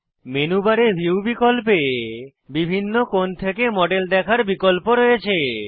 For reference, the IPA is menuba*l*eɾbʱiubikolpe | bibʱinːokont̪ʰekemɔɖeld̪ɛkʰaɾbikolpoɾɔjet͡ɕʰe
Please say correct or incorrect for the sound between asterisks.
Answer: incorrect